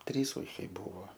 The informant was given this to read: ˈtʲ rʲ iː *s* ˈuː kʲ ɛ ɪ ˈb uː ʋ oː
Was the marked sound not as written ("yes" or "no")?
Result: no